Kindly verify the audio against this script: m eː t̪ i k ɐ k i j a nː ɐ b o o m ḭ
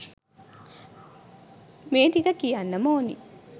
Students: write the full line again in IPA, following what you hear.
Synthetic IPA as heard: m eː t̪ i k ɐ k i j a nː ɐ m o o n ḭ